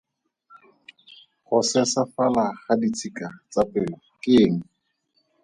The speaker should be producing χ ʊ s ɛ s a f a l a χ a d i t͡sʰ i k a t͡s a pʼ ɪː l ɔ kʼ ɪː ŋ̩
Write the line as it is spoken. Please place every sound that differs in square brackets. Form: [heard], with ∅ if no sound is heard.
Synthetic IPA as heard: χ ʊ s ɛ s a f a l a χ a d i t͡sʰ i k a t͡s a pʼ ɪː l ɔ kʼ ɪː ŋ̩